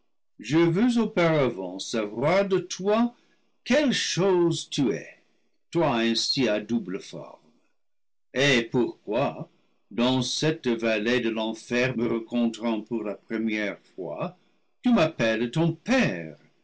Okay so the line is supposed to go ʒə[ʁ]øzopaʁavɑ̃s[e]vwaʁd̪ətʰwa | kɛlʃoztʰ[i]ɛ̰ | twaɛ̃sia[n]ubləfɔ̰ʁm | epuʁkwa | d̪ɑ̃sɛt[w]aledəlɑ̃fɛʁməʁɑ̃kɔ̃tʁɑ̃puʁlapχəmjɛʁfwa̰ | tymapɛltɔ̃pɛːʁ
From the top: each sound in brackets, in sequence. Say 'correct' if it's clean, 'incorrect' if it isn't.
incorrect: v, incorrect: a, incorrect: y, incorrect: d, incorrect: v

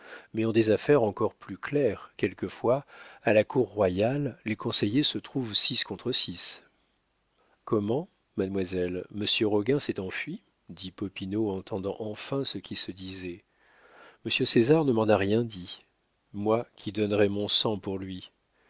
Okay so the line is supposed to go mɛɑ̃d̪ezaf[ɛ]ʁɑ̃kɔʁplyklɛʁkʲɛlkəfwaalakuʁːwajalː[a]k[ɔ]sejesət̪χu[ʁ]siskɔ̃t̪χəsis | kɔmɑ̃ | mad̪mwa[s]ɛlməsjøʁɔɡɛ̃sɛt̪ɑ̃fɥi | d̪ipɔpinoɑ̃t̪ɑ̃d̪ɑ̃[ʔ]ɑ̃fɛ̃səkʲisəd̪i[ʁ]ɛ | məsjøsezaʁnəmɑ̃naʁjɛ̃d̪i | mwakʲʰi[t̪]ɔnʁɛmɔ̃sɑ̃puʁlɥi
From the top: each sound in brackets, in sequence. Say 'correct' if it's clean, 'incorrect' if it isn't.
correct, incorrect: e, incorrect: ɔ̃, incorrect: v, incorrect: z, correct, incorrect: z, incorrect: d̪

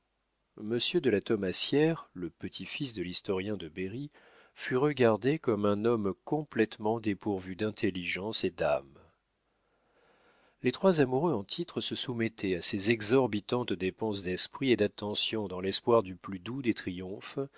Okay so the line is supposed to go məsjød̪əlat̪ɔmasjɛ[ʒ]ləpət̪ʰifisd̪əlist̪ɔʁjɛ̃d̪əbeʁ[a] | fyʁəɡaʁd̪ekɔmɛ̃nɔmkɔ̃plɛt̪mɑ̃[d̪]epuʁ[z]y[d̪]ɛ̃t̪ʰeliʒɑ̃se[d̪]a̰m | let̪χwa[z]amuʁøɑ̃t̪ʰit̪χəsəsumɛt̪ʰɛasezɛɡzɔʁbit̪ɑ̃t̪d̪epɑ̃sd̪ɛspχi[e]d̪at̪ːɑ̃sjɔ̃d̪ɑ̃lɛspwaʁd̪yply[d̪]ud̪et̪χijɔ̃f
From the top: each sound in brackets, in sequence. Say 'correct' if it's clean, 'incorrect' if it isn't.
incorrect: ʁ, incorrect: i, correct, incorrect: v, correct, correct, correct, correct, correct

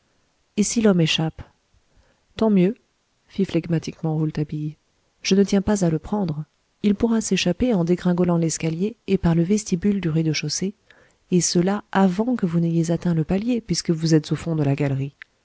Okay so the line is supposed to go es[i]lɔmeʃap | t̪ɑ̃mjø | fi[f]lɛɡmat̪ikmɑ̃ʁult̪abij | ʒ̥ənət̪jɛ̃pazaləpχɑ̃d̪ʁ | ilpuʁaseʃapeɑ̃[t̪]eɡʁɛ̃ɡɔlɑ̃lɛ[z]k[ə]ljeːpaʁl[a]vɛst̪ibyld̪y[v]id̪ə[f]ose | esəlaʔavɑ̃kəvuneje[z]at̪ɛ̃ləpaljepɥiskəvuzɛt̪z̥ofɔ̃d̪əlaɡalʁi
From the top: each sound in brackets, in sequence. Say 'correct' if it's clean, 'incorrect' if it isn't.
correct, correct, incorrect: d̪, incorrect: s, incorrect: a, incorrect: ə, incorrect: ʁ, incorrect: ʃ, correct

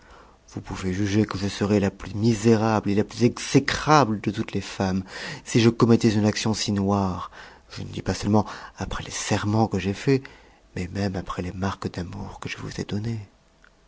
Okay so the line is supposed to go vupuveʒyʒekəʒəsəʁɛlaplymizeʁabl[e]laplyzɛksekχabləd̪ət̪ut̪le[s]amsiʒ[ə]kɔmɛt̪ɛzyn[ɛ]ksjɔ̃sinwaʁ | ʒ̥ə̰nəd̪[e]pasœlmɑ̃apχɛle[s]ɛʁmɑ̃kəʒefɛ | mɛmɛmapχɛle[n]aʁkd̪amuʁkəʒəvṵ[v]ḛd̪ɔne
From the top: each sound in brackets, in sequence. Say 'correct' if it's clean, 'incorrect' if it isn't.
correct, incorrect: f, correct, incorrect: a, incorrect: i, correct, incorrect: m, incorrect: z

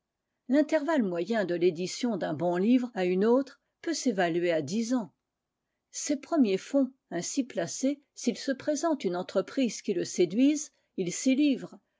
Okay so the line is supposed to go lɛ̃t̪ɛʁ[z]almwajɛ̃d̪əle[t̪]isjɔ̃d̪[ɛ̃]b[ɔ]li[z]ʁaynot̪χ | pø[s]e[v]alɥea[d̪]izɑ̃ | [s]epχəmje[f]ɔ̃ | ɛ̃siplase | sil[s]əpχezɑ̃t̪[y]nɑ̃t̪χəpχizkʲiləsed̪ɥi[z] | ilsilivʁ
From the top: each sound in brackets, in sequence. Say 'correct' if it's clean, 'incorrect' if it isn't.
incorrect: v, incorrect: d̪, correct, incorrect: ɔ̃, incorrect: v, correct, correct, correct, correct, correct, correct, correct, correct

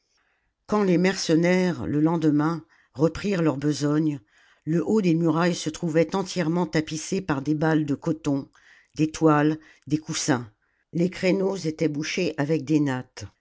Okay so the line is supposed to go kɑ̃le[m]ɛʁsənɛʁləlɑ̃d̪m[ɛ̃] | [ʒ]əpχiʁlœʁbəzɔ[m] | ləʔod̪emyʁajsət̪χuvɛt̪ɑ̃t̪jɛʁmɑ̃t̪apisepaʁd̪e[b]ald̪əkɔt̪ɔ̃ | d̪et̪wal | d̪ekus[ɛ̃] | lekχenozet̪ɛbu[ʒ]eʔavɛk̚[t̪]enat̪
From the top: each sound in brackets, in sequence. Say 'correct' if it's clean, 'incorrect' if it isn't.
correct, correct, incorrect: ʁ, incorrect: ɲ, correct, correct, incorrect: ʃ, incorrect: d̪

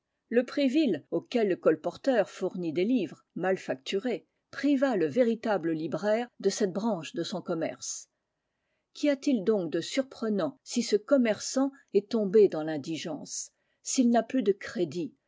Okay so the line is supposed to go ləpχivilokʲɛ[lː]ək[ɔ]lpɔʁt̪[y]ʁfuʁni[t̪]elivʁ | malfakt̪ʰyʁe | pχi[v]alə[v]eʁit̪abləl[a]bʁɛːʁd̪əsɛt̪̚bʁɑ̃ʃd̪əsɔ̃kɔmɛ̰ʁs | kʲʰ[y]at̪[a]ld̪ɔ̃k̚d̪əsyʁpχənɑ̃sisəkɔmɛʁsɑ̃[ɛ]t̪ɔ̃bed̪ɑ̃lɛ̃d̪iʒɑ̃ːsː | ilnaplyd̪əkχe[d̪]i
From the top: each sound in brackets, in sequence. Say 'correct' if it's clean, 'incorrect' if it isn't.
correct, correct, incorrect: œ, incorrect: d̪, correct, correct, incorrect: i, incorrect: i, incorrect: i, correct, correct

